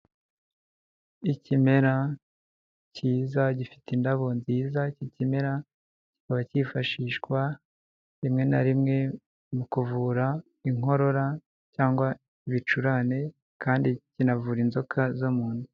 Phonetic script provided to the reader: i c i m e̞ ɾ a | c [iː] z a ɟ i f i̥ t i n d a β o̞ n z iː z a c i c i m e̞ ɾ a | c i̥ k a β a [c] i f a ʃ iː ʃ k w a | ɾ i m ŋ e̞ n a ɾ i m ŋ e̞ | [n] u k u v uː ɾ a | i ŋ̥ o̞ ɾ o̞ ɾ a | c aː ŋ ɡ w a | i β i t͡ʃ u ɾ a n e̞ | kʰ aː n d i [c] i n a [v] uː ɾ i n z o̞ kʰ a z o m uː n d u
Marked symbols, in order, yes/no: yes, yes, no, yes, yes

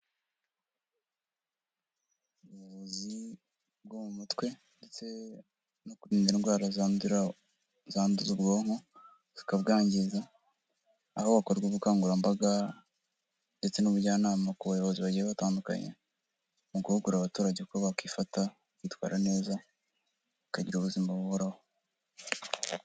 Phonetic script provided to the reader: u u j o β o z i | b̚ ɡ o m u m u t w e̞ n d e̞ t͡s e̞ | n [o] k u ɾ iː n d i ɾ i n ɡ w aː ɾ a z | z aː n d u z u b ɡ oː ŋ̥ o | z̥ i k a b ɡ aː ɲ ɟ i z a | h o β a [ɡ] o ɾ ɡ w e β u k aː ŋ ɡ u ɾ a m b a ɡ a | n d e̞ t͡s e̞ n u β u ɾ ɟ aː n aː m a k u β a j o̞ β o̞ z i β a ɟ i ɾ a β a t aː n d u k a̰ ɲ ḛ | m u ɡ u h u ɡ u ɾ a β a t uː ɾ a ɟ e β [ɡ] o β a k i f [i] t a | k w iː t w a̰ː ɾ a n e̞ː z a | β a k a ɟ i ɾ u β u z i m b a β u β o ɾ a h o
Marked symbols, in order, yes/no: yes, no, no, no

